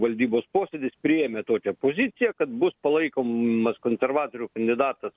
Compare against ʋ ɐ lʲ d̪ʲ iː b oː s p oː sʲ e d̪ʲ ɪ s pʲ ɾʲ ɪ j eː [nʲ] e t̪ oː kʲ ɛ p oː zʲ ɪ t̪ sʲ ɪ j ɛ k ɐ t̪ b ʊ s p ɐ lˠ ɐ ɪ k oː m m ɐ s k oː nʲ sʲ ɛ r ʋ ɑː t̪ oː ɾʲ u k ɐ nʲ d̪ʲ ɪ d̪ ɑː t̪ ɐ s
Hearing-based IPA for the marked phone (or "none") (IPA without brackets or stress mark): mʲ